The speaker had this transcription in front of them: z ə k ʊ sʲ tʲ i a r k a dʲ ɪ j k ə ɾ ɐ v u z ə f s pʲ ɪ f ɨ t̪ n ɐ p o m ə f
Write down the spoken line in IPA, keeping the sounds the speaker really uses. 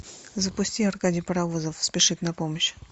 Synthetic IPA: z ə p ʊ sʲ tʲ i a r k a dʲ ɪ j p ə ɾ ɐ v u z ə f s pʲ ɪ ʂ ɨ t̪ n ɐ p o m ə ɕ